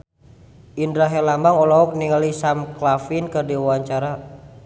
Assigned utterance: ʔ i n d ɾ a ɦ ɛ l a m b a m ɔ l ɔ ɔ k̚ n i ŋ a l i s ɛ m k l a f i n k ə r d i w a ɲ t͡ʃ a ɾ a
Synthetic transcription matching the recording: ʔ i n d ɾ a ɦ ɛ l a m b a ŋ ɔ l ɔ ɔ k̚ n i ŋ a l i s a m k l a f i n k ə r d i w a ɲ t͡ʃ a ɾ a